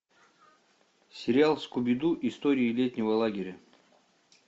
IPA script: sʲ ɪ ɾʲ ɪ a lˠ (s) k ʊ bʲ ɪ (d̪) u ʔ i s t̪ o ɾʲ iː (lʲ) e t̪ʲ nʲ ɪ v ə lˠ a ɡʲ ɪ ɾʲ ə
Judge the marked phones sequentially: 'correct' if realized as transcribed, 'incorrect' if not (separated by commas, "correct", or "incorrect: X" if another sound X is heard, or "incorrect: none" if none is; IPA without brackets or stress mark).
correct, correct, correct